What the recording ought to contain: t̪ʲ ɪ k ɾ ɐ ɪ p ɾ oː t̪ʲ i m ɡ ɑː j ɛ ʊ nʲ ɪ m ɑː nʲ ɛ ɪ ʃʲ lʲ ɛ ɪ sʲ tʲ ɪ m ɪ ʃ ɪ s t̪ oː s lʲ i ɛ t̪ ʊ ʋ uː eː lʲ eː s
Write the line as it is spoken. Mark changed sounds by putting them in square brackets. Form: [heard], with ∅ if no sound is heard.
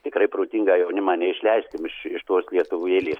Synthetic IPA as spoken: t̪ʲ ɪ k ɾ ɐ ɪ p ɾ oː t̪ʲ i [ŋ] ɡ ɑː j ɛ ʊ nʲ ɪ m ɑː nʲ ɛ ɪ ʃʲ lʲ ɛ ɪ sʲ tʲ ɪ m ɪ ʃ ɪ [ʃ] t̪ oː s lʲ i ɛ t̪ ʊ ʋ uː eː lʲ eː s